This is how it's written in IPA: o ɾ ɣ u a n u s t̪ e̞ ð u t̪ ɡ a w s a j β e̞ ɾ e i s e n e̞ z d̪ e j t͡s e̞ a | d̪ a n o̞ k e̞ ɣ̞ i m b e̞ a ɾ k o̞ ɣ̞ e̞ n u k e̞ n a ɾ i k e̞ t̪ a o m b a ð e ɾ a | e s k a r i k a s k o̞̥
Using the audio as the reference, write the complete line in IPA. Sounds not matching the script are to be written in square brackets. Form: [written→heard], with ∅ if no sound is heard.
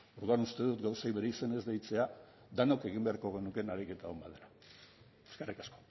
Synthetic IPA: o ɾ [ɣ→ð] u a n u s t̪ e̞ ð u t̪ ɡ a w s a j β e̞ ɾ e i s e n e̞ z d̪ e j t͡s e̞ a | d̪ a n o̞ k e̞ ɣ̞ i m b e̞ a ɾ k o̞ ɣ̞ e̞ n u k e̞ n a ɾ i k e̞ t̪ a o m b a ð e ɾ a | e s k a r i k a s k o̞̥